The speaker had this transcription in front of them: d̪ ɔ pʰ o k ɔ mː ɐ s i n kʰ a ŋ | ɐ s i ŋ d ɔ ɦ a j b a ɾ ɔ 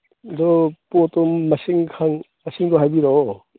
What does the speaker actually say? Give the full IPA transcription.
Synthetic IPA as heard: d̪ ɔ p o t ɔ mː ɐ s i ŋ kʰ a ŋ | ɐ s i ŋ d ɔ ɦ a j b i ɾ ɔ